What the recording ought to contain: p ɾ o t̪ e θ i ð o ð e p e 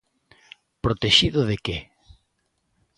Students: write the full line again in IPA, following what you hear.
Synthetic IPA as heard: p ɾ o t̪ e ʃ i ð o ð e k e